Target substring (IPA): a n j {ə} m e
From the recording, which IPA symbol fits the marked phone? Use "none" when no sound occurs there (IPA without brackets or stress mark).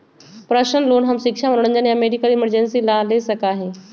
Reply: a